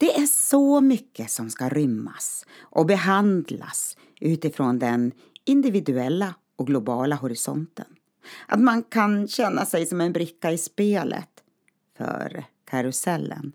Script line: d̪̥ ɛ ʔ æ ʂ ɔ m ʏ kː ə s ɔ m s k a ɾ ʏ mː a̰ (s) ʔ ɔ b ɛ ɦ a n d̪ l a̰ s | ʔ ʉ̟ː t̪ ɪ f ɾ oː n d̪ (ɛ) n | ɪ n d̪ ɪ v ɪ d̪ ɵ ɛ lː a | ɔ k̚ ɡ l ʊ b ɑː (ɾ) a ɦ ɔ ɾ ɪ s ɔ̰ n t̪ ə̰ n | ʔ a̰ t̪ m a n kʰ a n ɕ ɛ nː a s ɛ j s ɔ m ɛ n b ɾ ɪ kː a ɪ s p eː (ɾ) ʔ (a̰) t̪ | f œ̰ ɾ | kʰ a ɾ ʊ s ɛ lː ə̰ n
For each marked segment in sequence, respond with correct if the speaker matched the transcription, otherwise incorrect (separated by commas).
correct, correct, incorrect, incorrect, incorrect